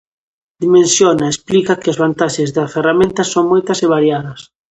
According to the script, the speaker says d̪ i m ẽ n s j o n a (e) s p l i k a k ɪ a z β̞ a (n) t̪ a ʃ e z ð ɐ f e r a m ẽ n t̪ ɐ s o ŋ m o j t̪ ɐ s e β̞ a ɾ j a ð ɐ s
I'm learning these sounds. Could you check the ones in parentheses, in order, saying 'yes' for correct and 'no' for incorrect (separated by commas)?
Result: yes, yes